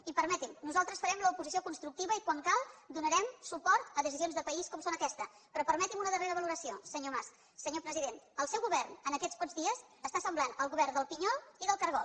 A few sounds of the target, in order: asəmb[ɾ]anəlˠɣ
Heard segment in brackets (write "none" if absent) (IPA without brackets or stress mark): l